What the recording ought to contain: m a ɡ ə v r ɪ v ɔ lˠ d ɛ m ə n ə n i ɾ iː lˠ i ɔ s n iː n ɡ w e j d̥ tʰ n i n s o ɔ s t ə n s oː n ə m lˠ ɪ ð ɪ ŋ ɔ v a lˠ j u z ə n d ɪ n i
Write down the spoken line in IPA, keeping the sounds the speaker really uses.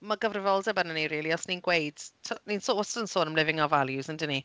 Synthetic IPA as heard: m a ɡ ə v r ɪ v ɔ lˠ d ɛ b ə n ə n i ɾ iː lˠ i ɔ s n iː n ɡ w e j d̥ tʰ n i n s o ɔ s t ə n s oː n ə m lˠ ɪ v ɪ ŋ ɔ v a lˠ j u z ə n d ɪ n i